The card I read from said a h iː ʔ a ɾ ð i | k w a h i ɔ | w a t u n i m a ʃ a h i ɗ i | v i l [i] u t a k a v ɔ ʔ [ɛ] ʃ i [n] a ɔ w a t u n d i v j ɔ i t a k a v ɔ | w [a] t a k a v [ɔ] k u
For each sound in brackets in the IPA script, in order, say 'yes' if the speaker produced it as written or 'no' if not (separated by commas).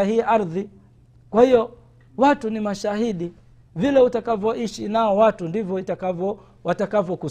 no, no, yes, yes, yes